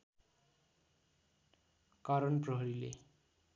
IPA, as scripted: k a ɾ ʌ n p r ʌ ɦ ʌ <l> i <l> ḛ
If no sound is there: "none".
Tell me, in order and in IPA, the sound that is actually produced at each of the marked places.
ɾ, l

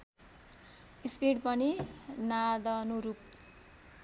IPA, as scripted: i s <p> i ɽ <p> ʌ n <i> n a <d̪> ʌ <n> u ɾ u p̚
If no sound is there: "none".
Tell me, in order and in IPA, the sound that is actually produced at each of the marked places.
p, p, i, d̪, n

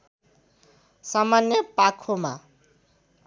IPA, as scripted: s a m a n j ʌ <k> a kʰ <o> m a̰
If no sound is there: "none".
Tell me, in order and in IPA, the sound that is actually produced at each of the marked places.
p, o

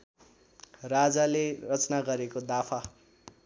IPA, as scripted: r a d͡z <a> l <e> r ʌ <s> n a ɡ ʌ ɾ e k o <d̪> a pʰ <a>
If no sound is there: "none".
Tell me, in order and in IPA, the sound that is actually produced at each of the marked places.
a, e, t͡s, d̪, a

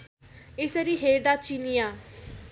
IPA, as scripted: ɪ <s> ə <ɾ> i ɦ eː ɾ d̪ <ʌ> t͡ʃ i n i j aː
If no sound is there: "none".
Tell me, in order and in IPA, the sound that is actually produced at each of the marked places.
s, ɾ, a

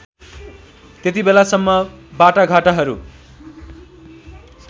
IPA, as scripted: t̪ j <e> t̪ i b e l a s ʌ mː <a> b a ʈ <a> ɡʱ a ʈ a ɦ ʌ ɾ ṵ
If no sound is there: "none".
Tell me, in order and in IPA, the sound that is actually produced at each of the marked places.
e, ʌ, a

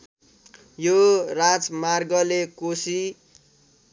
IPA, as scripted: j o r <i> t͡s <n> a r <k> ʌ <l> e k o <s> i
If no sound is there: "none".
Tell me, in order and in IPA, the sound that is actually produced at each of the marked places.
a, m, ɡ, l, s

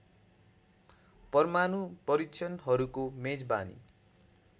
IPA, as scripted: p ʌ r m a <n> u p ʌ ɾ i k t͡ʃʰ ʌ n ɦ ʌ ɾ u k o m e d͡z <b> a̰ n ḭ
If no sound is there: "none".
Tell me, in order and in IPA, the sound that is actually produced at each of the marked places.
n, b

